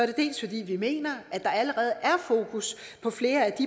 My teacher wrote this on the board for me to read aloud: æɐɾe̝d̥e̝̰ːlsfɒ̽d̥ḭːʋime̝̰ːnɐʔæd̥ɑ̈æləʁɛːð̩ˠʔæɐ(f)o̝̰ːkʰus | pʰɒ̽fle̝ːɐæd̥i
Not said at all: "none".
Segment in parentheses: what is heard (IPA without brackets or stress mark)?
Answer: f